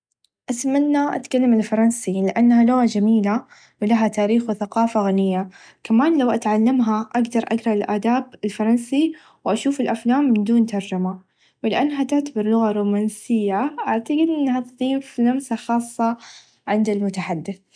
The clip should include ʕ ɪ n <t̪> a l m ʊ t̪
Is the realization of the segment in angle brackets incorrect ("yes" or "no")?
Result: yes